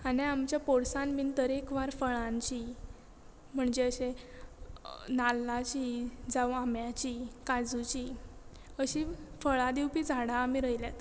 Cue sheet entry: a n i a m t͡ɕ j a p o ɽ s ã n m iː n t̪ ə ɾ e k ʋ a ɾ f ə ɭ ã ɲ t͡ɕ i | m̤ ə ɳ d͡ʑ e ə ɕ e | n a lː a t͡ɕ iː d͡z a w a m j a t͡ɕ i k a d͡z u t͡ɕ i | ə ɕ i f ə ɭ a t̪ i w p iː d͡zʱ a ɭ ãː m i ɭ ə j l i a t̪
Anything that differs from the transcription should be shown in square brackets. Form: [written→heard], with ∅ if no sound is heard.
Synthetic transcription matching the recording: a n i a m t͡ɕ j a p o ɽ s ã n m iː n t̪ ə ɾ e k ʋ a ɾ f ə ɭ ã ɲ t͡ɕ i | m̤ ə ɳ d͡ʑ e ə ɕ e | n a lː a t͡ɕ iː d͡z a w a m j a t͡ɕ i k a d͡z u t͡ɕ i | ə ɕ i f ə ɭ a [t̪→d̪] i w p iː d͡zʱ a [ɭ→ɽ] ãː m i [ɭ→ɾ] ə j l [i→j] a t̪